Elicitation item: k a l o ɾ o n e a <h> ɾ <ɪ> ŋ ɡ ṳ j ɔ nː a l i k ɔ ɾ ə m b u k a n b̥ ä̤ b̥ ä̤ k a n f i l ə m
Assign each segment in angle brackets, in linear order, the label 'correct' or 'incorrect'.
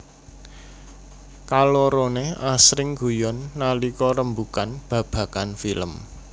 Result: incorrect: s, correct

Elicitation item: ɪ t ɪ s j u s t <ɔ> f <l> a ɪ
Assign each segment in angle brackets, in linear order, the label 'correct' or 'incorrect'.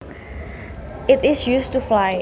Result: incorrect: u, correct

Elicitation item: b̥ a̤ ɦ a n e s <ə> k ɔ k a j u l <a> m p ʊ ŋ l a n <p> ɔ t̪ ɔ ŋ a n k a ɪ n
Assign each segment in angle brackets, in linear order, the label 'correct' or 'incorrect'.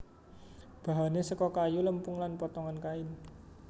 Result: correct, incorrect: ə, correct

